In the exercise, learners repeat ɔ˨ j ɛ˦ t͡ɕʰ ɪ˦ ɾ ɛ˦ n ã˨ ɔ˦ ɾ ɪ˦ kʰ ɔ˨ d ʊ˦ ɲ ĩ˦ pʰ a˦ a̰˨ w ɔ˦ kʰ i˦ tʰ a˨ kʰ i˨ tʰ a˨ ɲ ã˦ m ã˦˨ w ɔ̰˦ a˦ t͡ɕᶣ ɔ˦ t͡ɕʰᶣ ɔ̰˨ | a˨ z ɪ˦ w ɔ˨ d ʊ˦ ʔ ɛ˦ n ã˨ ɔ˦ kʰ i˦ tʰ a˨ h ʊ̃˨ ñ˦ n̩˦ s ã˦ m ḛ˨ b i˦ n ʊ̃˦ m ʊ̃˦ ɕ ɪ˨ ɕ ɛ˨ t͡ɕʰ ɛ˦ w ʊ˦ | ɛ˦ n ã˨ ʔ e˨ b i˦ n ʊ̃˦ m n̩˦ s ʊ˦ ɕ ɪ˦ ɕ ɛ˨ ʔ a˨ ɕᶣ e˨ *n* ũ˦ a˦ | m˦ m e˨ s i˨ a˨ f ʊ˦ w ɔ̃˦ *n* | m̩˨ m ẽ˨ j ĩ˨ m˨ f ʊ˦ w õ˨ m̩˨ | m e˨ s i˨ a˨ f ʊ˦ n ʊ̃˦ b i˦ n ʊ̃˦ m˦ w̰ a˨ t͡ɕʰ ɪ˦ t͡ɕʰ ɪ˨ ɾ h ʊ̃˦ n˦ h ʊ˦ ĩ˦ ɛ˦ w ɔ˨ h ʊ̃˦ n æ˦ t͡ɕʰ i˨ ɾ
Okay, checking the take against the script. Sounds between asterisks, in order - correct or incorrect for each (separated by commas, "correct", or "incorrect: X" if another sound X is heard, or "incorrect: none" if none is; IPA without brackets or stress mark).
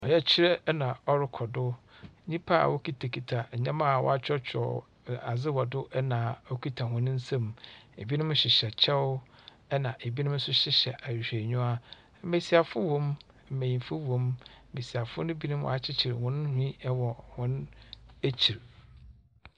incorrect: ɲ, incorrect: m